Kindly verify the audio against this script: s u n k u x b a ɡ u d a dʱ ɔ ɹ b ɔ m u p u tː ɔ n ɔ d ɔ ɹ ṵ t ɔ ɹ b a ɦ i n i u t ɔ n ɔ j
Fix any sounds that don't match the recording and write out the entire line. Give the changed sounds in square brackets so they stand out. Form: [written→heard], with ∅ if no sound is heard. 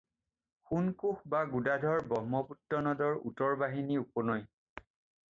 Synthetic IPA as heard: [s→x] u n k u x b a ɡ u d a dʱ ɔ ɹ b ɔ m [u→ɔ] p u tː ɔ n ɔ d ɔ ɹ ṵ t ɔ ɹ b a ɦ i n i u [t→p] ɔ n ɔ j